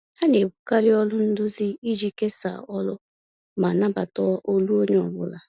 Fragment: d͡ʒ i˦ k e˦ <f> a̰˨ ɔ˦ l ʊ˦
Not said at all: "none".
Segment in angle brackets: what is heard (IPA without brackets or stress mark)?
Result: s